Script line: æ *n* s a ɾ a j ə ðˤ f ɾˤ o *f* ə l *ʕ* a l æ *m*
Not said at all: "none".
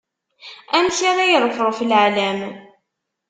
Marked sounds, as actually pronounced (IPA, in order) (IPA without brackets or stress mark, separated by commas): m, f, ʕ, m